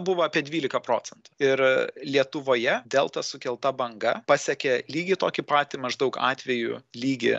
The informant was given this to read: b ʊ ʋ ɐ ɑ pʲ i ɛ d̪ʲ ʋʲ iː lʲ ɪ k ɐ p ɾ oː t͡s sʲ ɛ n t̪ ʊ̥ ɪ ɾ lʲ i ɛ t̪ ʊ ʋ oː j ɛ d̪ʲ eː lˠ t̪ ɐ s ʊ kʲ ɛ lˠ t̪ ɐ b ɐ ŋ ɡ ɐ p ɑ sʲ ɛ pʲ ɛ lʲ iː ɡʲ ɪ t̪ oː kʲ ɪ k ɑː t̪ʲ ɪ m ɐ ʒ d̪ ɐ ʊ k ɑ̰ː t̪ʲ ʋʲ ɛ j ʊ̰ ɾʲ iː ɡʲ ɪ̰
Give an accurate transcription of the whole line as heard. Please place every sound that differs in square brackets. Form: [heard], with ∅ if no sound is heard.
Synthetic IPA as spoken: b ʊ ʋ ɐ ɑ pʲ i ɛ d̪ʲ ʋʲ iː lʲ ɪ k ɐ p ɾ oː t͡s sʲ ɛ n t̪ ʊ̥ ɪ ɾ lʲ i ɛ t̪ ʊ ʋ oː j ɛ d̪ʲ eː lˠ t̪ ɐ s ʊ kʲ ɛ lˠ t̪ ɐ b ɐ ŋ ɡ ɐ p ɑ sʲ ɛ [kʲ] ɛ lʲ iː ɡʲ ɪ t̪ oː kʲ ɪ [p] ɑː t̪ʲ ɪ m ɐ ʒ d̪ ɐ ʊ k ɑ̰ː t̪ʲ ʋʲ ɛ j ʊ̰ [lʲ] iː ɡʲ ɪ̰